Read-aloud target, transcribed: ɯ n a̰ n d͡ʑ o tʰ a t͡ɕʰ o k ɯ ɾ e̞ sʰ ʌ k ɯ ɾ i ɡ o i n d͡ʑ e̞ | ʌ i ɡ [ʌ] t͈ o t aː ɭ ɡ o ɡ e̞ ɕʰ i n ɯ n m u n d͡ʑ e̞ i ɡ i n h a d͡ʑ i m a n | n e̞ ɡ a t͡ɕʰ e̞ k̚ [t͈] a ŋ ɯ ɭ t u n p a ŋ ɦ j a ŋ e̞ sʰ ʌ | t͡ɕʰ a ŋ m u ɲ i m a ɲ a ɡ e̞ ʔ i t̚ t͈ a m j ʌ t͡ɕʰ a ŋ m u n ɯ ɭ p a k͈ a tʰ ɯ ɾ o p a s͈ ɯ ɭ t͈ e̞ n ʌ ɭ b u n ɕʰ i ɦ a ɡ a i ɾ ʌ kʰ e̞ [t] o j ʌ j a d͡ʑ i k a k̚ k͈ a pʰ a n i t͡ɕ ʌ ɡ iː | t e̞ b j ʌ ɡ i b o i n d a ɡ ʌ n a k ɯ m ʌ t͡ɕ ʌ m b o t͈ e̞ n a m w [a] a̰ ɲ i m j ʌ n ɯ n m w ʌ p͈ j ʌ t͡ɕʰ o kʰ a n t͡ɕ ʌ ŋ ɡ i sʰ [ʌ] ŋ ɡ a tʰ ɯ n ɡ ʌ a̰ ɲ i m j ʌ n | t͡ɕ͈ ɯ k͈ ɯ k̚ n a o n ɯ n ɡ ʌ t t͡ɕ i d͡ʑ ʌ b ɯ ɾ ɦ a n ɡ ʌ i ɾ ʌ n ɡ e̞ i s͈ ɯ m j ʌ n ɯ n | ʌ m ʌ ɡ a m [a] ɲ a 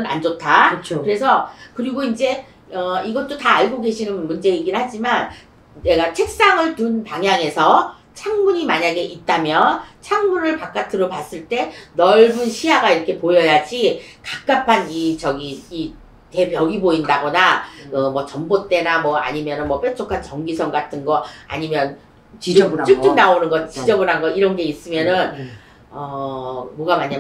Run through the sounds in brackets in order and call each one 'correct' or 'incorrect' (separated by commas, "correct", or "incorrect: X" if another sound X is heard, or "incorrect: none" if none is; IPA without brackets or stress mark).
correct, incorrect: s͈, incorrect: p, incorrect: ʌ, correct, correct